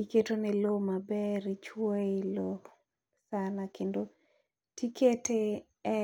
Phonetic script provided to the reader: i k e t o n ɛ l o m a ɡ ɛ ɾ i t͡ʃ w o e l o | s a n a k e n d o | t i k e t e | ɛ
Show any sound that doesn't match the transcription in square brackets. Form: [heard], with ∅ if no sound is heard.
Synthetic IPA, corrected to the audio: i k e t o n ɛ l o m a [b] ɛ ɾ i t͡ʃ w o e l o | s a n a k e n d o | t i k e t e | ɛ